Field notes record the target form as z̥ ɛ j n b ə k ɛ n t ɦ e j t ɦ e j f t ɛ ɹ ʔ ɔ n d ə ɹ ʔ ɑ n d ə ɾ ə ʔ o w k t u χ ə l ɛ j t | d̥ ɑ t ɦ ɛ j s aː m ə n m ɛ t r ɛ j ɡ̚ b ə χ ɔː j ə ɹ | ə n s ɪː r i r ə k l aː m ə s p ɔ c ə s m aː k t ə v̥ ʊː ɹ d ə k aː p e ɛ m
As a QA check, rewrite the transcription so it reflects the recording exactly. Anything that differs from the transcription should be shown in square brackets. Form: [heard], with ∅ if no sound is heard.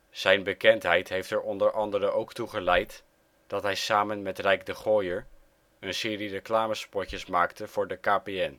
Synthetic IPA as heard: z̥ ɛ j n b ə k ɛ n t ɦ [ɛ] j t ɦ e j f t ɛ ɹ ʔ ɔ n d ə ɹ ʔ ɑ n d ə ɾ ə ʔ o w k t u χ ə l ɛ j t | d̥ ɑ t ɦ ɛ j s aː m ə n m ɛ t r ɛ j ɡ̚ [d] ə χ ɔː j ə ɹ | ə n s ɪː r i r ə k l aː m ə s p ɔ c ə s m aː k t ə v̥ ʊː ɹ d ə k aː p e ɛ [n]